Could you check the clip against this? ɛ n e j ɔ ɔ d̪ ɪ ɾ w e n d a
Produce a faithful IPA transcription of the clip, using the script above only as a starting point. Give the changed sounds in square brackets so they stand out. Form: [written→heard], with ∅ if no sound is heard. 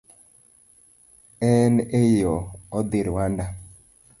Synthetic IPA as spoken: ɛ n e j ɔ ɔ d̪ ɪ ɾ w [e→a] n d a